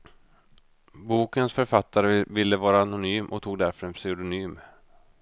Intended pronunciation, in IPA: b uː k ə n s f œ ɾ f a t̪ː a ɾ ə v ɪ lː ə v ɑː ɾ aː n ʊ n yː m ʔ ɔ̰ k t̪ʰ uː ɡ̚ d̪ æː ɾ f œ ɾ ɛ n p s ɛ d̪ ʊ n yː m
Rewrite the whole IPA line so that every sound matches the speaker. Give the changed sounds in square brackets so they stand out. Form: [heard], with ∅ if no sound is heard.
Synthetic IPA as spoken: b uː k ə n s f œ ɾ f a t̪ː a ɾ ə v ɪ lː ə v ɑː ɾ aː n ʊ n yː m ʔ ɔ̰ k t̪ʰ uː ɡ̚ d̪ [æ] ɾ f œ ɾ ɛ n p s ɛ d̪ ʊ n yː m